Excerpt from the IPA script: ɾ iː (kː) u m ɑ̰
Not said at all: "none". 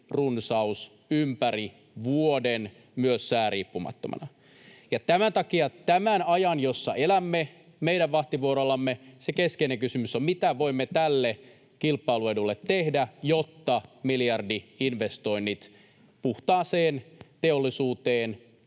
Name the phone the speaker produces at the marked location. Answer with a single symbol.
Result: pː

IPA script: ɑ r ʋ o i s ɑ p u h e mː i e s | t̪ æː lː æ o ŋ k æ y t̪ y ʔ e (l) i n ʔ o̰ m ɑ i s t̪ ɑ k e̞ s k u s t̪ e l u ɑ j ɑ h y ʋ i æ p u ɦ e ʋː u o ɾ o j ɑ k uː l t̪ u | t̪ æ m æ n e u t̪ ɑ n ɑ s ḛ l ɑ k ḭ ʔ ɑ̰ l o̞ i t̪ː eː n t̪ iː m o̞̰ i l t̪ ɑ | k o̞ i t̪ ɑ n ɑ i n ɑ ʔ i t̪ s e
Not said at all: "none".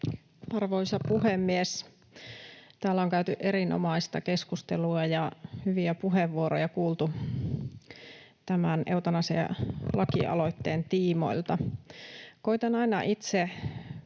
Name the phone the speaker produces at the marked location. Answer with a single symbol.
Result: ɾ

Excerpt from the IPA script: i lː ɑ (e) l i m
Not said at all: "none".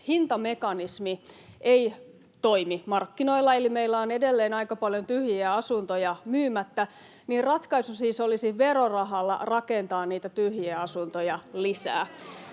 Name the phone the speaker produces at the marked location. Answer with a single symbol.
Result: e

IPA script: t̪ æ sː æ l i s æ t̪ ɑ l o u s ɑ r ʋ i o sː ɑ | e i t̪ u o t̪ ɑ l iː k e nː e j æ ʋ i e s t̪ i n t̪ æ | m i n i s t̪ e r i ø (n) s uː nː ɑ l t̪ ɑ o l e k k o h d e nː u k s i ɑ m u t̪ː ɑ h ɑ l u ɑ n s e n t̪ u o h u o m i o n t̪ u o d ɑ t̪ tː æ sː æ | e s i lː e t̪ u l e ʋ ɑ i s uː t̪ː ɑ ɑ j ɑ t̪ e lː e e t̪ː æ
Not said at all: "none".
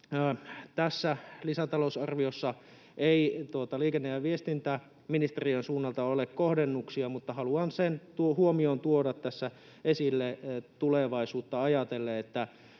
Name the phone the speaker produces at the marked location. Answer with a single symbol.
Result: n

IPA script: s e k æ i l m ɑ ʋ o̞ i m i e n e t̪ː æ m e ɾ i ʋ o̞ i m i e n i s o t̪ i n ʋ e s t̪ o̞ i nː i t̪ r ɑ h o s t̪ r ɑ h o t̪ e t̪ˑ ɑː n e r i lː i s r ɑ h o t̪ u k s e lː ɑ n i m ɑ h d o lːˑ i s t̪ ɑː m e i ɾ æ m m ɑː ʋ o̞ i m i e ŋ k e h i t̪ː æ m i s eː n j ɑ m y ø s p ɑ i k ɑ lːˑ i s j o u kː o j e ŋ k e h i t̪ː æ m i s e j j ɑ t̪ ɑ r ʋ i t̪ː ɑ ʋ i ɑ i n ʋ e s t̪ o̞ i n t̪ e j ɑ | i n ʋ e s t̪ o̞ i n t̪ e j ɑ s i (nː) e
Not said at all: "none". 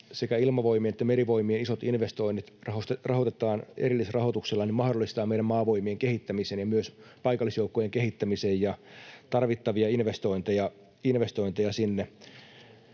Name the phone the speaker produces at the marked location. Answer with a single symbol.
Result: nː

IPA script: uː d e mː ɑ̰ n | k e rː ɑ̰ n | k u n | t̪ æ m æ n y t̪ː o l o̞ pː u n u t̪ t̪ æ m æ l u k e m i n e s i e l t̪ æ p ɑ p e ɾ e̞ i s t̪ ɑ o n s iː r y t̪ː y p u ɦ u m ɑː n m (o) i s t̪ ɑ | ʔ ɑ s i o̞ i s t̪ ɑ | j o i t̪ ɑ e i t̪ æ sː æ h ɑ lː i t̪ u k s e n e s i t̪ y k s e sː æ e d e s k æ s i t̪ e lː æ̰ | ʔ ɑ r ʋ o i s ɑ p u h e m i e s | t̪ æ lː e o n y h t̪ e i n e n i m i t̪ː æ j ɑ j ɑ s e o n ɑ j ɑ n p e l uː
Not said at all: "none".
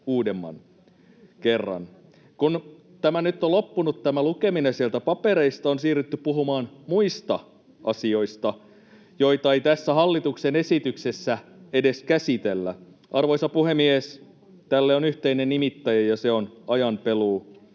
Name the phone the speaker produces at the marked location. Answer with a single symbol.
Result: u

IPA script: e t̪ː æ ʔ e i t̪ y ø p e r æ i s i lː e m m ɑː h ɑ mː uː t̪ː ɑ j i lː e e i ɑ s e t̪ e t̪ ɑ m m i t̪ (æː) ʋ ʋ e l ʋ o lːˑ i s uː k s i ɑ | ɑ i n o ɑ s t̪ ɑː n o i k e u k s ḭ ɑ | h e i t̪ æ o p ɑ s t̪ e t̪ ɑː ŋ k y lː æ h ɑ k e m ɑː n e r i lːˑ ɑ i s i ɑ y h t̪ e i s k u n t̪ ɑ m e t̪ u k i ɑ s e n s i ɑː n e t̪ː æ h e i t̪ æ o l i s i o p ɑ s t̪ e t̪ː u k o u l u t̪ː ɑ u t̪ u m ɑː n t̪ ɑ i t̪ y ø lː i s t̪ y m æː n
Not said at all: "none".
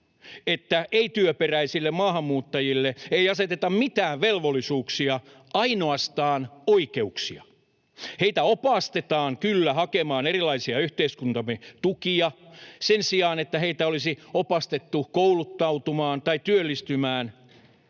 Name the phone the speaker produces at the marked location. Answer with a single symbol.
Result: æː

